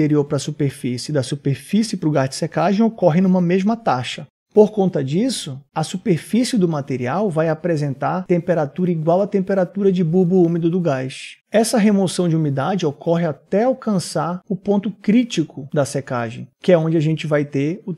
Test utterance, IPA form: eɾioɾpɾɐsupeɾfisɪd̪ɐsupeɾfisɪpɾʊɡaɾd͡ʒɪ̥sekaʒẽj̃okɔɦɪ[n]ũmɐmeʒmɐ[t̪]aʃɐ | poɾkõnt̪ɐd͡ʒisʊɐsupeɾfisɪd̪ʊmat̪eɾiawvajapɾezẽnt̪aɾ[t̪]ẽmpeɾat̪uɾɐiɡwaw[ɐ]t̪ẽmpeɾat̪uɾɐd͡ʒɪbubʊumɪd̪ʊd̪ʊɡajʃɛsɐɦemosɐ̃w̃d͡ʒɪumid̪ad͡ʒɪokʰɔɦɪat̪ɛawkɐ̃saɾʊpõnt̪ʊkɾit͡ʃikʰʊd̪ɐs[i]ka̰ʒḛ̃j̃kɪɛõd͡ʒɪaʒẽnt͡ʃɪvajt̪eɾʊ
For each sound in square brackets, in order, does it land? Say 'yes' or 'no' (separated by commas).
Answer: yes, yes, yes, yes, no